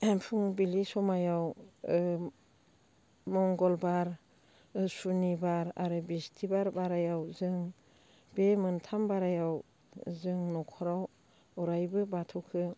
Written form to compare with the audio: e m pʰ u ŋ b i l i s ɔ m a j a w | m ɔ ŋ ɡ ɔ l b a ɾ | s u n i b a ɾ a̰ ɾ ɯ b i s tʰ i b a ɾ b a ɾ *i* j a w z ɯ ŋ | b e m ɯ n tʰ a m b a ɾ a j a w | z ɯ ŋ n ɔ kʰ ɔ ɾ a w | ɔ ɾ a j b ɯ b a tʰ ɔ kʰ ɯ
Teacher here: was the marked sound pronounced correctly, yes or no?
no